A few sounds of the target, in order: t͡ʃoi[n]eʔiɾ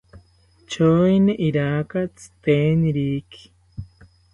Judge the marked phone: correct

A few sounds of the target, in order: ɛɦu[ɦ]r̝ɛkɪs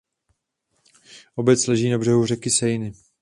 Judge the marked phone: incorrect: none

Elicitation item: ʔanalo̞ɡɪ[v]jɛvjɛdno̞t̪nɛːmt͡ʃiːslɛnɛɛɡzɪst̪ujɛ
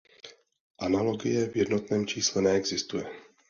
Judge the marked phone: incorrect: none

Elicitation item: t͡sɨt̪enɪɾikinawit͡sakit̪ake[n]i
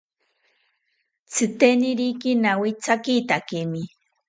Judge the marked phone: incorrect: m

